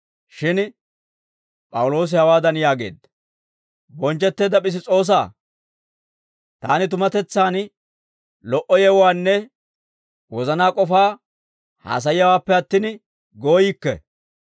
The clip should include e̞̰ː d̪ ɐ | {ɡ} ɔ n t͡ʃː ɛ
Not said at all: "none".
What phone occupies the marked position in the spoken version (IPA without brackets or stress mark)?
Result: b